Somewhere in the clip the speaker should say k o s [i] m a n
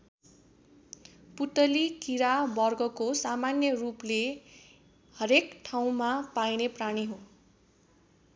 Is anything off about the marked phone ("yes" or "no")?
yes